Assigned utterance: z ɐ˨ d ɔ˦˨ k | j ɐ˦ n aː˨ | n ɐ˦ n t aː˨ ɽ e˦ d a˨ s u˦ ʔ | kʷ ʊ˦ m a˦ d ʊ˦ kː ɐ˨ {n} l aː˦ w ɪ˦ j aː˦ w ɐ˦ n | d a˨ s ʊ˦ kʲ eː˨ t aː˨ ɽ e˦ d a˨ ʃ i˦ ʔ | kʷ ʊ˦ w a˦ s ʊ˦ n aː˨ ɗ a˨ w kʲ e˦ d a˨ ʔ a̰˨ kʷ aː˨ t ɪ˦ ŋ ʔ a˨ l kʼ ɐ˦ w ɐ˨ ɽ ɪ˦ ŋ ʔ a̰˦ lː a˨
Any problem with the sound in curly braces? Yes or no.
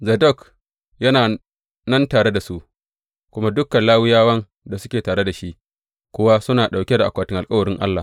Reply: no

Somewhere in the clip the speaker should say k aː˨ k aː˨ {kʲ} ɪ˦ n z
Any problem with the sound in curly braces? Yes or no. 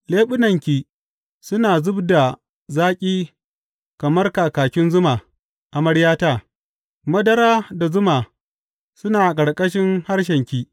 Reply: no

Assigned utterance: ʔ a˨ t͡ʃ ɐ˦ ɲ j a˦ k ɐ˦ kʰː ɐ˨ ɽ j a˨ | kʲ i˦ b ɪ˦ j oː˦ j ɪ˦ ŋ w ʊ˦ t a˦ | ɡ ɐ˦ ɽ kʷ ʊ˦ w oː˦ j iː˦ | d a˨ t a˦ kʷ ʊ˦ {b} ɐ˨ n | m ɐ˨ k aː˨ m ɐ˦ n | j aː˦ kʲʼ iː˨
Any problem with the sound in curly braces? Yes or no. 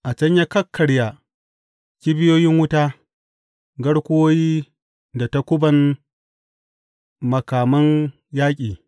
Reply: no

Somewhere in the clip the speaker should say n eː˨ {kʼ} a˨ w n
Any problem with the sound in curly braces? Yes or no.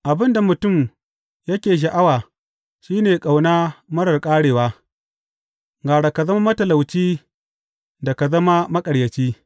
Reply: no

